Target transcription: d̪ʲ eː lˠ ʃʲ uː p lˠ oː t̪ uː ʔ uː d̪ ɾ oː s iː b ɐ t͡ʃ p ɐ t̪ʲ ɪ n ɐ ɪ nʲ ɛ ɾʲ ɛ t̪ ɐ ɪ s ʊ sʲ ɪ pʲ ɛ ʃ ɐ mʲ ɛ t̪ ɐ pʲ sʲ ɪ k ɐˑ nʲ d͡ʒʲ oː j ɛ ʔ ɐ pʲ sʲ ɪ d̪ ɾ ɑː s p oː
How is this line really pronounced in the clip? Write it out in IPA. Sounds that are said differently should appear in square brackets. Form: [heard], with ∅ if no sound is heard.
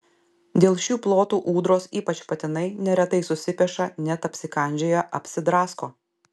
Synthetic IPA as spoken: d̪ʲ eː lˠ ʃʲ uː p lˠ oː t̪ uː ʔ uː d̪ ɾ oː s iː [p] ɐ t͡ʃ p ɐ t̪ʲ ɪ n ɐ ɪ nʲ ɛ ɾʲ ɛ t̪ ɐ ɪ s ʊ sʲ ɪ pʲ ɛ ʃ ɐ [nʲ] ɛ t̪ ɐ pʲ sʲ ɪ k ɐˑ nʲ d͡ʒʲ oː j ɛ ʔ ɐ pʲ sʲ ɪ d̪ ɾ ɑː s [k] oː